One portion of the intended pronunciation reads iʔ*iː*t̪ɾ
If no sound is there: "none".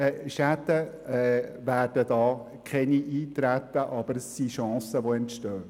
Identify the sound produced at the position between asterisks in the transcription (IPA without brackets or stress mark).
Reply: iː